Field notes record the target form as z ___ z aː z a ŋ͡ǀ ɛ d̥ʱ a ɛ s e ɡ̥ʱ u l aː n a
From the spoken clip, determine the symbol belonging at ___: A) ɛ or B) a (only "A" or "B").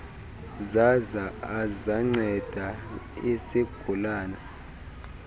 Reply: B